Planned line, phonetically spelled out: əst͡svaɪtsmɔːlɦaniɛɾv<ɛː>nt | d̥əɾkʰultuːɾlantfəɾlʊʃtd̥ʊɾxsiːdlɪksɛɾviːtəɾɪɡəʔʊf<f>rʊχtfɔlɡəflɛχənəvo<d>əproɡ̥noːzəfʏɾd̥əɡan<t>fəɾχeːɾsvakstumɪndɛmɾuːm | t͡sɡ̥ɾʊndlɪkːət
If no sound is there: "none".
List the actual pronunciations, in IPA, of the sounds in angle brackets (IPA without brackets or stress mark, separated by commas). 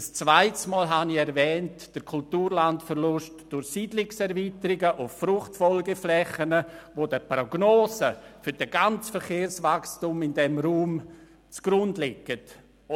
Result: ɛː, f, d, t͡s